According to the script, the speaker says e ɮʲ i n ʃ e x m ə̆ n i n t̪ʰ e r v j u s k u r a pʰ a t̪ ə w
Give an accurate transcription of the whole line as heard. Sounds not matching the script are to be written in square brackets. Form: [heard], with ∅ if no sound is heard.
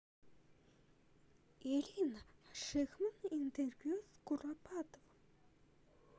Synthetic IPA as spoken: e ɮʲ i n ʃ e x m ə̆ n i n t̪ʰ e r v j u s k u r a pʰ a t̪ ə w